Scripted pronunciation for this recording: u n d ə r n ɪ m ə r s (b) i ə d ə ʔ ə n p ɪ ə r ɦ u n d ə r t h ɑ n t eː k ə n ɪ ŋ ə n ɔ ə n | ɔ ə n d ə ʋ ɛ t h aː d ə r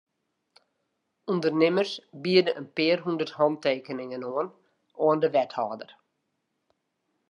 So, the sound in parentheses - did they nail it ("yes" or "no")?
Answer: yes